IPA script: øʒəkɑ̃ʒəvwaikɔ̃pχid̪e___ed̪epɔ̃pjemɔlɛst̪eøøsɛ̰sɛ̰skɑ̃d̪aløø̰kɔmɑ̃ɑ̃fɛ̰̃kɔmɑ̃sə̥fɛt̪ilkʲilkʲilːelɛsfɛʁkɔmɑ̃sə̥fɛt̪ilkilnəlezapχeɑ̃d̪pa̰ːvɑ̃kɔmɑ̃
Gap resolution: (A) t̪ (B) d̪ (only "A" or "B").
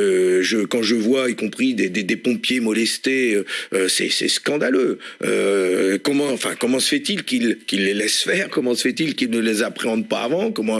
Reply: B